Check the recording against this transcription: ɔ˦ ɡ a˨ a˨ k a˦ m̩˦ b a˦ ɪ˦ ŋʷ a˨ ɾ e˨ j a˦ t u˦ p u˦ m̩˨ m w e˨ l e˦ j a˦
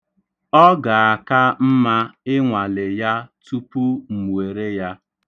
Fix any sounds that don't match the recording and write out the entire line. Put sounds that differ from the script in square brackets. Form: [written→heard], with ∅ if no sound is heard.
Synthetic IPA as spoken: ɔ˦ ɡ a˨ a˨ k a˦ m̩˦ [b→m] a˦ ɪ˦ ŋʷ a˨ [ɾ→l] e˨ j a˦ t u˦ p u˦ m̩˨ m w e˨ [l→ɾ] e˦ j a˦